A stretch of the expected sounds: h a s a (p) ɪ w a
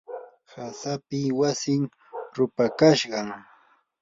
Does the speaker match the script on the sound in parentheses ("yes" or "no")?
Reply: yes